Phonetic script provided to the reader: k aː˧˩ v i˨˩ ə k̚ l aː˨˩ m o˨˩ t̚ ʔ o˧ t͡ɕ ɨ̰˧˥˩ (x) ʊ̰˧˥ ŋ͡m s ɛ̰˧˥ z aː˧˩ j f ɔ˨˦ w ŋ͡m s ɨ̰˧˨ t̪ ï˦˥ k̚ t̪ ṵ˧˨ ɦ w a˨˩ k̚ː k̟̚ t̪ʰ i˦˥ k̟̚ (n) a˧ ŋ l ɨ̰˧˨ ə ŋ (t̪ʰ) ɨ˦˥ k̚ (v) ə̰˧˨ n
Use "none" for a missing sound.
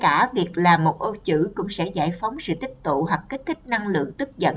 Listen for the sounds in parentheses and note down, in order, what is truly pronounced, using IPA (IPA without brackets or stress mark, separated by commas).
k, n, t̪, z